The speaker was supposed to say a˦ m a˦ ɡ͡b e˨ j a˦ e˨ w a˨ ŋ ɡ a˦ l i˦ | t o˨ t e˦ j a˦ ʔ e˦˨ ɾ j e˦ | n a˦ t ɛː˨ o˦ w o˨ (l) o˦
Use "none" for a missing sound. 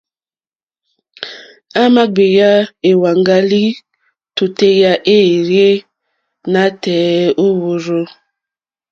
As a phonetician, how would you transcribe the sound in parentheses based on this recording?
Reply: ɾ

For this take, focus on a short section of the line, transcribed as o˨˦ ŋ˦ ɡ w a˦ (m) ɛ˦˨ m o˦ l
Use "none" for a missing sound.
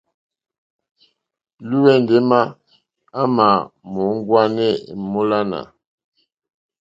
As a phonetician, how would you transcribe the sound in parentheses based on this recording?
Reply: n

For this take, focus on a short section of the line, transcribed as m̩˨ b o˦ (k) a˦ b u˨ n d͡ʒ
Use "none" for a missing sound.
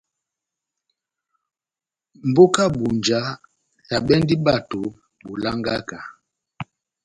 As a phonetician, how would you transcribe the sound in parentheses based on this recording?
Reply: k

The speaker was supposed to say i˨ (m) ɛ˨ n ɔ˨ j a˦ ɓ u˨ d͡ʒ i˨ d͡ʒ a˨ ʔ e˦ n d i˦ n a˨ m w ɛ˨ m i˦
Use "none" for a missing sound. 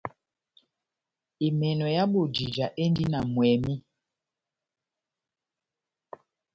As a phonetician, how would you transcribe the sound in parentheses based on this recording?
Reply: m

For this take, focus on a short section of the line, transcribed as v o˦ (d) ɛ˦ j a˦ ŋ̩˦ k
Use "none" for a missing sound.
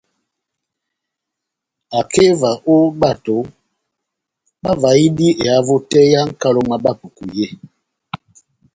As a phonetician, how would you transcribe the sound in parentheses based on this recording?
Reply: t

